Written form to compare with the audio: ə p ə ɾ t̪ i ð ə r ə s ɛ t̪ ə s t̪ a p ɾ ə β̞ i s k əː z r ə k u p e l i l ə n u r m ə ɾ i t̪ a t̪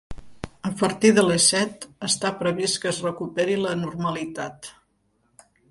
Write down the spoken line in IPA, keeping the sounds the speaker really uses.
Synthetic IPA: ə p ə ɾ t̪ i ð ə l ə s ɛ t̪ ə s t̪ a p ɾ ə β̞ i s k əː z r ə k u p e ɾ i l ə n u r m ə l i t̪ a t̪